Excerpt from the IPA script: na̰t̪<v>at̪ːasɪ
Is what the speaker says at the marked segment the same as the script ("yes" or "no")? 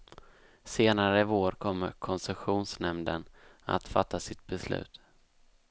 no